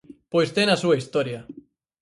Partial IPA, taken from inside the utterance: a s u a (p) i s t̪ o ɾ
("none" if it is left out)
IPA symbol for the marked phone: none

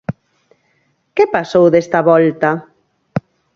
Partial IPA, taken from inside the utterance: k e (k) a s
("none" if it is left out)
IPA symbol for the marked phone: p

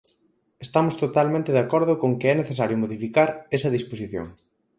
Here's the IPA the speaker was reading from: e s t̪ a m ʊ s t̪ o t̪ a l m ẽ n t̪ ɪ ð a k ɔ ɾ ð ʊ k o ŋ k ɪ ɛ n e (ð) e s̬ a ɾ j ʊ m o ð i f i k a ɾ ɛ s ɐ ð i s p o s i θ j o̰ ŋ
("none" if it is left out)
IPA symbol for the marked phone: θ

